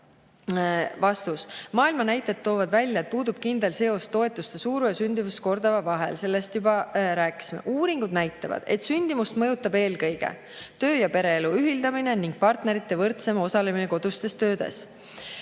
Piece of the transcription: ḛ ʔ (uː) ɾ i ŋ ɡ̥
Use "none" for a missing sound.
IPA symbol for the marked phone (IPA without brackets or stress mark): uː